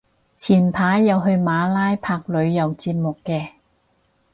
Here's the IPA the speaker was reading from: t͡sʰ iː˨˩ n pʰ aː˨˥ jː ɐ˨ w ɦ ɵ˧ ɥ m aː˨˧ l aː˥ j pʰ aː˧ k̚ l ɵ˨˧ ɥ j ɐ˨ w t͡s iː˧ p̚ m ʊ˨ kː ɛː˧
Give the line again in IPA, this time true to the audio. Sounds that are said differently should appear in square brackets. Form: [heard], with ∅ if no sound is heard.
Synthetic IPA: t͡sʰ iː˨˩ n pʰ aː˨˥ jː ɐ˨ w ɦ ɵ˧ ɥ m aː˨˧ l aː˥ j pʰ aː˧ k̚ l ɵ˨˧ ɥ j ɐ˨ w t͡s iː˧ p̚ m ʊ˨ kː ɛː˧